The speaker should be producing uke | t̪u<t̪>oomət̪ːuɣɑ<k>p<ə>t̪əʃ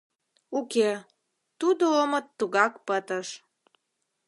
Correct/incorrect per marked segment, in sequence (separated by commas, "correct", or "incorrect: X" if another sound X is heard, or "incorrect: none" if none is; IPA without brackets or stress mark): incorrect: d̪, correct, correct